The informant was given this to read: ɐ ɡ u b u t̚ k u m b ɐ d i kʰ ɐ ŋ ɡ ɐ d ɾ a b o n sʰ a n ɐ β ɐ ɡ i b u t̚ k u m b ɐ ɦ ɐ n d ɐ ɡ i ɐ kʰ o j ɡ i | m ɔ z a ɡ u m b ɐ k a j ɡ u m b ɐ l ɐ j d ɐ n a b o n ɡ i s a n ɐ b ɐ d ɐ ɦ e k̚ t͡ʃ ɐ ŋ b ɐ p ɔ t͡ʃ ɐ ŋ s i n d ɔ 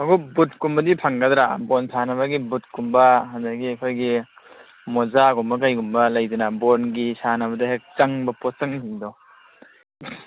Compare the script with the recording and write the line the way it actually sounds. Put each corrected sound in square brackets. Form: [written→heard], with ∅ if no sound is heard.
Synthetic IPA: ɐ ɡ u b u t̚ k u m b ɐ d i [kʰ→pʰ] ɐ ŋ ɡ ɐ d ɾ a b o n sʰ a n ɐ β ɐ ɡ i b u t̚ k u m b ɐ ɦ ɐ n d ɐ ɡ i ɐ kʰ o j ɡ i | m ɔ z a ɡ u m b ɐ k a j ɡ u m b ɐ l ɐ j d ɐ n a b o n ɡ i s a n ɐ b ɐ d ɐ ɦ e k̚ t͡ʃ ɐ ŋ b ɐ p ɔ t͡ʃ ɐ ŋ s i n d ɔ